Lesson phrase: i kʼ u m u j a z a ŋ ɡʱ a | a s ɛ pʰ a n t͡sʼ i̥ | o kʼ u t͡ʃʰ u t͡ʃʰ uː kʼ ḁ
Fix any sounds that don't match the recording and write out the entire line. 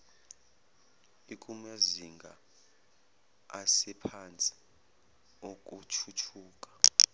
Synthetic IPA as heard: i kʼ u m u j a z i ŋ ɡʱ a | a s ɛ pʰ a n t͡sʼ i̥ | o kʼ u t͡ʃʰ u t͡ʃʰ uː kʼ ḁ